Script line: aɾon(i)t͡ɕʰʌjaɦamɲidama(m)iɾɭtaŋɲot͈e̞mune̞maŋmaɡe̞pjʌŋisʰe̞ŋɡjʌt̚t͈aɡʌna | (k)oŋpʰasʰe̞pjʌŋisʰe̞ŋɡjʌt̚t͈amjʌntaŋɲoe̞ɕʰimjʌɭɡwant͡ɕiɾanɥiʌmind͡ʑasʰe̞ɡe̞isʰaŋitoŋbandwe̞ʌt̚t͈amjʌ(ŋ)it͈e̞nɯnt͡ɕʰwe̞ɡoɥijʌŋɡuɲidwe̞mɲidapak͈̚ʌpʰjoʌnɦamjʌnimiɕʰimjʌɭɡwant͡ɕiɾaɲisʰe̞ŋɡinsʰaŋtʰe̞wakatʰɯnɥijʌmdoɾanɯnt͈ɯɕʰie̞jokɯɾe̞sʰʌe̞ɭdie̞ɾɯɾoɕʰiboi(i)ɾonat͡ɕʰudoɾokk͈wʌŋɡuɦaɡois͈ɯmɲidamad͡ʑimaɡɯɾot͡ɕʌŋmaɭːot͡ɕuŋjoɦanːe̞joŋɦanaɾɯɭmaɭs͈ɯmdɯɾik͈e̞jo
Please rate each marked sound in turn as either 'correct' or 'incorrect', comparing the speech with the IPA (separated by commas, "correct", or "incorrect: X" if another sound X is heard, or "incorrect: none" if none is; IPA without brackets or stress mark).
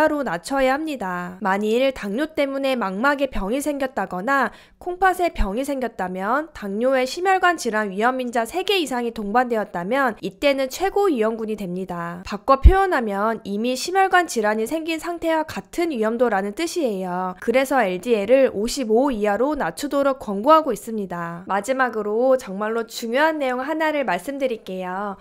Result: incorrect: a, incorrect: ɲ, incorrect: kʰ, incorrect: n, incorrect: a